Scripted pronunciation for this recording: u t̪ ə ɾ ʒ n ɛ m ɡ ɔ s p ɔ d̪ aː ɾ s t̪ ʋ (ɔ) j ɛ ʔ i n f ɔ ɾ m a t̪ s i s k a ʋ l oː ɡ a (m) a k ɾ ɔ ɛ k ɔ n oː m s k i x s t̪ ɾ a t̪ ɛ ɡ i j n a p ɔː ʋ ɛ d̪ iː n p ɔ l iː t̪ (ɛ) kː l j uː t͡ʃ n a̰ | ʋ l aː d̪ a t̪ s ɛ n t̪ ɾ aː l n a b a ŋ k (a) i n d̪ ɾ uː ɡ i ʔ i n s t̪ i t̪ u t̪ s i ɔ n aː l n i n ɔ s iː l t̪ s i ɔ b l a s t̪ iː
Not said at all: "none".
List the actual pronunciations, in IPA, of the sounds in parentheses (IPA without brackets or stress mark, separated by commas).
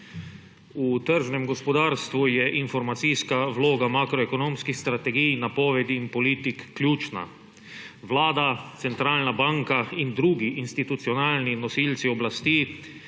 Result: u, m, i, a